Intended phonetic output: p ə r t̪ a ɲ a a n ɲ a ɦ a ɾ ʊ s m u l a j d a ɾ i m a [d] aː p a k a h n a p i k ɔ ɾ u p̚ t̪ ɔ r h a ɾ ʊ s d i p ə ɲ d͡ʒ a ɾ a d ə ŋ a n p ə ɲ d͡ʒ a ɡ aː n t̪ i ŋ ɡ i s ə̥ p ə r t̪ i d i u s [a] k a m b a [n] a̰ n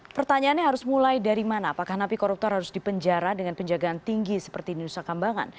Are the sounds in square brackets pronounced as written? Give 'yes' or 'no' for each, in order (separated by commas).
no, yes, no